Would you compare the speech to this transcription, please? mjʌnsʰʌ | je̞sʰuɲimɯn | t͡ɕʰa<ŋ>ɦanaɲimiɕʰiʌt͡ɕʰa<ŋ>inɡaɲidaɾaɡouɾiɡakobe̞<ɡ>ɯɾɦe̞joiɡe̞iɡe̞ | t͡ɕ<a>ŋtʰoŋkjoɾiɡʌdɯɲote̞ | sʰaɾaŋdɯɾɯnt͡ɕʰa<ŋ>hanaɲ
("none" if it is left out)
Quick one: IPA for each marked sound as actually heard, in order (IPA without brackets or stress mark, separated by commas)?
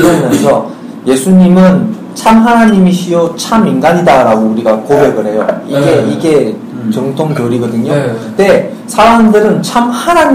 m, m, ɡ, ʌ, m